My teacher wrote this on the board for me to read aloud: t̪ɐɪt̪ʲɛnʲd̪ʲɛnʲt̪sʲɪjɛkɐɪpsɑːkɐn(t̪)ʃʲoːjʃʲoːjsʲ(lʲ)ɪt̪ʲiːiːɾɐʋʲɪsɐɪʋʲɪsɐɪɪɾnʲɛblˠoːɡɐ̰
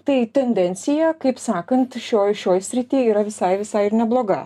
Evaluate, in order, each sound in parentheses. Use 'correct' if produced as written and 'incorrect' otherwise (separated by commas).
correct, incorrect